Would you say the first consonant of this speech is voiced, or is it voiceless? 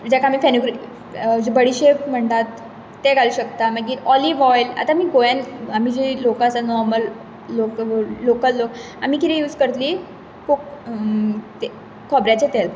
voiced